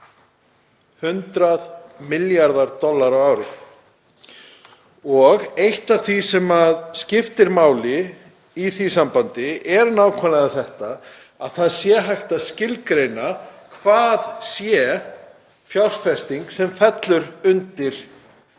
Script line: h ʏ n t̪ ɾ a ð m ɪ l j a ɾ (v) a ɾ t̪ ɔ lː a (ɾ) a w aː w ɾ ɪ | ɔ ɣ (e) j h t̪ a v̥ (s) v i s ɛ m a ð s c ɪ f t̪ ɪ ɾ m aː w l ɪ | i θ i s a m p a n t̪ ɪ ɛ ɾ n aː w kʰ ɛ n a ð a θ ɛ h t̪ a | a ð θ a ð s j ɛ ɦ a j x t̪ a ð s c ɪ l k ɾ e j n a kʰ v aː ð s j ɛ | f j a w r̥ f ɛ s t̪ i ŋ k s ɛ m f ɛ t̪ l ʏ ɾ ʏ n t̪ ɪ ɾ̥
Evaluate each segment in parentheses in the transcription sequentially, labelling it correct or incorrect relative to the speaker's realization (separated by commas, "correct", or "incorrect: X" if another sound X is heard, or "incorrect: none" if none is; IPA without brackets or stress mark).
incorrect: ð, correct, correct, incorrect: θ